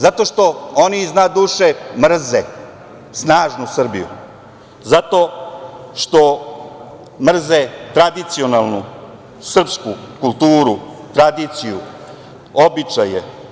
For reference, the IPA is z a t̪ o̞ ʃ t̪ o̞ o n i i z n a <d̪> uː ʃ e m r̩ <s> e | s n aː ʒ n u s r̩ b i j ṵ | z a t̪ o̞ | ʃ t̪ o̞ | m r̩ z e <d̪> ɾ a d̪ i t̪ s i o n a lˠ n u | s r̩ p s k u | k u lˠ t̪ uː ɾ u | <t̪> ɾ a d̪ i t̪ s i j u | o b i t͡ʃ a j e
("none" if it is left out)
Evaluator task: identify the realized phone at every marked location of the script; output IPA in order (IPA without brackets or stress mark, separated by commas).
d̪, z, t̪, t̪